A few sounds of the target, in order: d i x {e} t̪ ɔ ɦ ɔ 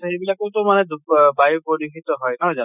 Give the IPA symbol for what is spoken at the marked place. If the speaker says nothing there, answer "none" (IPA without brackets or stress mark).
i